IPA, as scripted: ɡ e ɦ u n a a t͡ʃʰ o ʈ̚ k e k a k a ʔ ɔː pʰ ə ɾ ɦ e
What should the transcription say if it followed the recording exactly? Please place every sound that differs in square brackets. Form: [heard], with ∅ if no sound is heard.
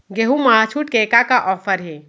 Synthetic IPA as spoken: ɡ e ɦ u [m] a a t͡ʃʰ [u] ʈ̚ k e k a k a ʔ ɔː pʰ ə ɾ ɦ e